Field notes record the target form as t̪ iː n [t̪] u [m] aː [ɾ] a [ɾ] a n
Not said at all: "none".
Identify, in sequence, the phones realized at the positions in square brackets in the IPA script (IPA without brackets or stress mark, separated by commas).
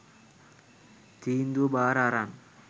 d̪, b, ɾ, ɾ